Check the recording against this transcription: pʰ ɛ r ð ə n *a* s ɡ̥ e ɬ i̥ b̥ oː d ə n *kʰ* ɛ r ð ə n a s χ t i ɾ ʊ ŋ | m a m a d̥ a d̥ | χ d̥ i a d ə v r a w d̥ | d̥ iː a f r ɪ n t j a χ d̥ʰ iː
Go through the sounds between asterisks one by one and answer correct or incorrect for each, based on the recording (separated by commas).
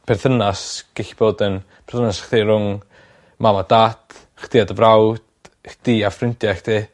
correct, incorrect